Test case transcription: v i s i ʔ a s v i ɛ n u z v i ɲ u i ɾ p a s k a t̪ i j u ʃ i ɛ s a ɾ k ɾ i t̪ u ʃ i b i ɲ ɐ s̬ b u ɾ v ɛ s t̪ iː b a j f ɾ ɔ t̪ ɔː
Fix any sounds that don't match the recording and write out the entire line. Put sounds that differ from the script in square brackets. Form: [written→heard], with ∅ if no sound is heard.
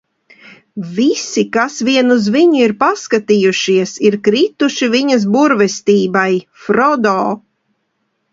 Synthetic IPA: v i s i [ʔ→k] a s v i ɛ n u z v i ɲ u i ɾ p a s k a t̪ i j u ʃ i ɛ s [a→i] ɾ k ɾ i t̪ u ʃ i [b→v] i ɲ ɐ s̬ b u ɾ v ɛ s t̪ iː b a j f ɾ ɔ [t̪→d̪] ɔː

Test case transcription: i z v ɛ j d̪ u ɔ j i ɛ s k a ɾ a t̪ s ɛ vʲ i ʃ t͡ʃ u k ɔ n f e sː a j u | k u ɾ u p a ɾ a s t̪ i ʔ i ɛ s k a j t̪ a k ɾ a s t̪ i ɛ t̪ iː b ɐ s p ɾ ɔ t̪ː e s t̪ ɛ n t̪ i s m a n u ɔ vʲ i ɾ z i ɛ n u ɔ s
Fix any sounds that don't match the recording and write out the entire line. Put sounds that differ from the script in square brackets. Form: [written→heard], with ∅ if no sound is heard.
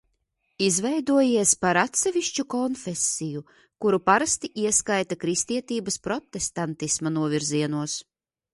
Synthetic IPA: i z v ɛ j d̪ u ɔ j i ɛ s [k→p] a ɾ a t̪ s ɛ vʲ i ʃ t͡ʃ u k ɔ n f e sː [a→i] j u | k u ɾ u p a ɾ a s t̪ i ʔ i ɛ s k a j t̪ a k ɾ [a→i] s t̪ i ɛ t̪ iː b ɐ s p ɾ ɔ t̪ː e s t̪ [ɛ→a] n t̪ i s m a n u ɔ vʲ i ɾ z i ɛ n u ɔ s

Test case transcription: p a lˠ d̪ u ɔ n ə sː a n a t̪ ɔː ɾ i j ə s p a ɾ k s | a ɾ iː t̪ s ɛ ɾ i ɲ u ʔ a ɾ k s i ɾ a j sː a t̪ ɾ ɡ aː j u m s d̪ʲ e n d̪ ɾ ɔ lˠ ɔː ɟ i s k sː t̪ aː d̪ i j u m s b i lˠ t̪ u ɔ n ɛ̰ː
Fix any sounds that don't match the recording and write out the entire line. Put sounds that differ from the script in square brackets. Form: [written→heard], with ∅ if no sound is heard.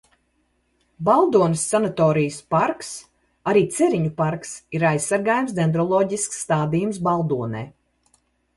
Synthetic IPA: [p→b] a lˠ d̪ u ɔ n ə sː a n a t̪ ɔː ɾ i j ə s p a ɾ k s | a ɾ iː t̪ s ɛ ɾ i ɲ u [ʔ→p] a ɾ k s i ɾ a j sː a [t̪→∅] ɾ ɡ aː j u m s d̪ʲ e n d̪ ɾ ɔ lˠ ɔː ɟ i s k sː t̪ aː d̪ i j u m s b [i→a] lˠ [t̪→d̪] u ɔ n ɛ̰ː

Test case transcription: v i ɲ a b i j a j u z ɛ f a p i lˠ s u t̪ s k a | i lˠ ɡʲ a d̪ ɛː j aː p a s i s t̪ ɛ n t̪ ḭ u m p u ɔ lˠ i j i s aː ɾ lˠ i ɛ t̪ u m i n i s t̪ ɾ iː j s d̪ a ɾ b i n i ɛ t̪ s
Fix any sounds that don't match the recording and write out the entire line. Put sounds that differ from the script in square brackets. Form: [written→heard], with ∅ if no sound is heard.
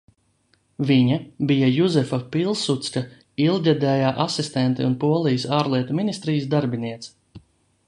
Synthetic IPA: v i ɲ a b i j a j u z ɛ f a p i lˠ s u t̪ s k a | i lˠ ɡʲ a d̪ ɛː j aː [p→ʔ] a s i s t̪ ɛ n t̪ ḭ u [m→n] p u ɔ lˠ i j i s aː ɾ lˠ i ɛ t̪ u m i n i s t̪ ɾ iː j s d̪ a ɾ b i n i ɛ t̪ s

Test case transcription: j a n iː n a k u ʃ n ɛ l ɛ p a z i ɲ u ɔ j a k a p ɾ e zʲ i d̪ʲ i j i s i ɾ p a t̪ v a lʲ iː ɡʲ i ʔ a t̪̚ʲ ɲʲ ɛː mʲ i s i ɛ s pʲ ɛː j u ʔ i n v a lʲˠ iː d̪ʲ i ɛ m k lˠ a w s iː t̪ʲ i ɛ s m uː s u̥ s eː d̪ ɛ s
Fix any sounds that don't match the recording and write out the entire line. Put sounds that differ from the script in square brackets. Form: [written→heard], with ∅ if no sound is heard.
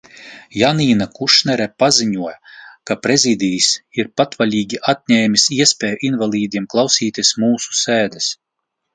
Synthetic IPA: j a n iː n a k u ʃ n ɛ [l→ɾ] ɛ p a z i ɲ u ɔ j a k a p ɾ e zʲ i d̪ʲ i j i s i ɾ p a t̪ v a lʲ iː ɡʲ i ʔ a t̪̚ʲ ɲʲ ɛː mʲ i s i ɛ s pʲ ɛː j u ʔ i n v a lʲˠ iː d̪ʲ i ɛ m k lˠ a w s iː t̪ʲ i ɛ s m uː s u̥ s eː d̪ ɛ s

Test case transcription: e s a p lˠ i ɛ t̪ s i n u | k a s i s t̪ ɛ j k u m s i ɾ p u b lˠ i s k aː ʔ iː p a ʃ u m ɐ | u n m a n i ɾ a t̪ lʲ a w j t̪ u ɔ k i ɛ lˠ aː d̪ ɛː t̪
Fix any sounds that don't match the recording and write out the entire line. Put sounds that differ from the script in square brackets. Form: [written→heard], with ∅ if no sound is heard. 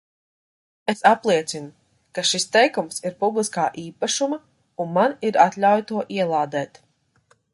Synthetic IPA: e s a p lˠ i ɛ t̪ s i n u | k a [s→ʃ] i s t̪ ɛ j k u m s i ɾ p u b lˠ i s k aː ʔ iː p a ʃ u m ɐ | u n m a n i ɾ a t̪ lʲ a w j t̪ u ɔ [k→ʔ] i ɛ lˠ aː d̪ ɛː t̪

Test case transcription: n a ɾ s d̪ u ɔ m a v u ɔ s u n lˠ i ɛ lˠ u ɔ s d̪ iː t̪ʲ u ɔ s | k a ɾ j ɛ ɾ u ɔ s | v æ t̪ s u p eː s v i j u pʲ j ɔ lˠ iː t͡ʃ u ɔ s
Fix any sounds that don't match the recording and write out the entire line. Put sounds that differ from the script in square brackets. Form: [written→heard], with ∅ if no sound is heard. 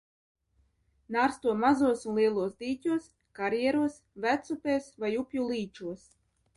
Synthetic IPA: n a ɾ s [d̪→t̪] u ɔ m a [v→z] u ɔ s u n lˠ i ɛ lˠ u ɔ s d̪ iː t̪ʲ u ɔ s | k a ɾ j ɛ ɾ u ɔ s | v æ t̪ s u p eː s v [i→a] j u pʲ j [ɔ→u] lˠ iː t͡ʃ u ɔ s

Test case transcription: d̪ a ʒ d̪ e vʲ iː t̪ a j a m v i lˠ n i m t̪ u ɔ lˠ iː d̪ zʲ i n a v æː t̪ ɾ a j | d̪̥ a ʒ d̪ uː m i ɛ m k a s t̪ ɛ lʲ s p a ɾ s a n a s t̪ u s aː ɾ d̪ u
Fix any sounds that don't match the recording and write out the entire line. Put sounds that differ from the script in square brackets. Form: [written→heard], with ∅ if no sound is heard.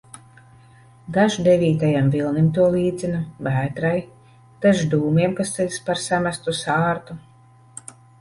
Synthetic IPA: d̪ a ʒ d̪ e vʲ iː t̪ a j a m v i lˠ n i m t̪ u ɔ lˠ iː d̪ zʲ i n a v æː t̪ ɾ a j | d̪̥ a ʒ d̪ uː m i ɛ m k a s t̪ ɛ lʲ s p a ɾ s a [n→m] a s t̪ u s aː ɾ [d̪→t̪] u

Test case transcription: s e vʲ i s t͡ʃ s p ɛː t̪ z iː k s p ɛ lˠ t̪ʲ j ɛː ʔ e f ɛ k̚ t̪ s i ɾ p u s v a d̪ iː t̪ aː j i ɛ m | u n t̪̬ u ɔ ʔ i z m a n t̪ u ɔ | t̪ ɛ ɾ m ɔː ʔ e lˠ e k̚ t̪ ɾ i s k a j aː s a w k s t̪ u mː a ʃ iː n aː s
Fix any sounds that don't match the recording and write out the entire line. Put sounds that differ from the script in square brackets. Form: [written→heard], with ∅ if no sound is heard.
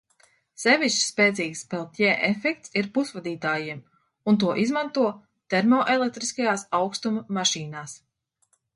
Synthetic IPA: s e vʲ i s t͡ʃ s p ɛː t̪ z iː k s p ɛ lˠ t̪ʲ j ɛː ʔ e f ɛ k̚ t̪ s i ɾ p u s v a d̪ iː t̪ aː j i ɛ m | u n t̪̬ u ɔ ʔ i z m a n t̪ u ɔ | t̪ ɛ ɾ m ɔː ʔ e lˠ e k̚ t̪ ɾ i s k a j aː s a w k s t̪ u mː a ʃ iː n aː s

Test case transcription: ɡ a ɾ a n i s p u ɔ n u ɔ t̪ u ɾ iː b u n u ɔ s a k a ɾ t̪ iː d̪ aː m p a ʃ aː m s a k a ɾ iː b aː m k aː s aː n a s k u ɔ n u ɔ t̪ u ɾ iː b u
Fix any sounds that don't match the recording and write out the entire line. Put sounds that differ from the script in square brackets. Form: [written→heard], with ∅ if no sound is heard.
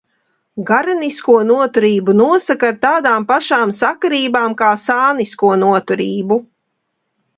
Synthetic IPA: ɡ a ɾ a n i s [p→k] u ɔ n u ɔ t̪ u ɾ iː b u n u ɔ s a k a ɾ t̪ [iː→aː] d̪ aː m p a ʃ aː m s a k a ɾ iː b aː m k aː s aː n [a→i] s k u ɔ n u ɔ t̪ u ɾ iː b u

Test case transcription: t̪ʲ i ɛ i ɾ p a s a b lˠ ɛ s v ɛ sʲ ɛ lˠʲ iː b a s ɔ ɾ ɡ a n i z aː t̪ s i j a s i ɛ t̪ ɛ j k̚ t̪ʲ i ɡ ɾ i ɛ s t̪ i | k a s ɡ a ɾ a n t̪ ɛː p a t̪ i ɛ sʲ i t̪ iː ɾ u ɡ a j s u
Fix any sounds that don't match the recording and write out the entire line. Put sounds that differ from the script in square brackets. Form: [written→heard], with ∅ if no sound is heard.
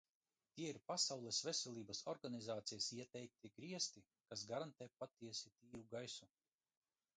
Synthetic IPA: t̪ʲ i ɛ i ɾ p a s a [b→w] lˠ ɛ s v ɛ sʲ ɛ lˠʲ iː b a s ɔ ɾ ɡ a n i z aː t̪ s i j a s i ɛ t̪ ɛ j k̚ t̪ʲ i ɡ ɾ i ɛ s t̪ i | k a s ɡ a ɾ a n t̪ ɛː p a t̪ i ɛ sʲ i t̪ iː ɾ u ɡ a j s u

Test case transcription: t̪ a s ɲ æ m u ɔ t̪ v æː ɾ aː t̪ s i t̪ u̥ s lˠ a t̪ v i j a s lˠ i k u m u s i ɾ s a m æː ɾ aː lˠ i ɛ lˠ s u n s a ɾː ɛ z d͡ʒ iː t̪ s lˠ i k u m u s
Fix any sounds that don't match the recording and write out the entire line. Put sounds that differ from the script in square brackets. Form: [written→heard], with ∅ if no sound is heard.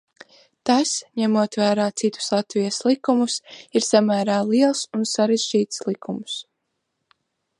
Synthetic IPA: t̪ a s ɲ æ m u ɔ t̪ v æː ɾ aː t̪ s i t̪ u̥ s lˠ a t̪ v i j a s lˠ i k u m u s i ɾ s a m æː ɾ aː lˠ i ɛ lˠ s u n s a [ɾː→ɾ] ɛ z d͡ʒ iː t̪ s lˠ i k u m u s

